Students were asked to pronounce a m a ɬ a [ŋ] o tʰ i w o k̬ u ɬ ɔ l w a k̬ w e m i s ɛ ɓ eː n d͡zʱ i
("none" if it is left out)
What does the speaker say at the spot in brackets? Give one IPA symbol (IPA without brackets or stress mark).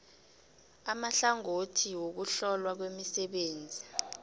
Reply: ŋ